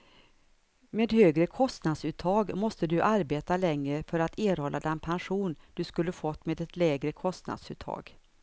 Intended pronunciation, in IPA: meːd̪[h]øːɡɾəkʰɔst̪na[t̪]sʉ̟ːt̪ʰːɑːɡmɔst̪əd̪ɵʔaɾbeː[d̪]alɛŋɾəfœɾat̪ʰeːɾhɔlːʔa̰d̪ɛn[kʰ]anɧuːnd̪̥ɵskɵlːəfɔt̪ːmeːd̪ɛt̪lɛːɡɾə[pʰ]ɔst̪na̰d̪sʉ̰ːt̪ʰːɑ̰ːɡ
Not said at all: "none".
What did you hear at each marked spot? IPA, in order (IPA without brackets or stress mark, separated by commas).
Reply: h, d̪, t̪, pʰ, kʰ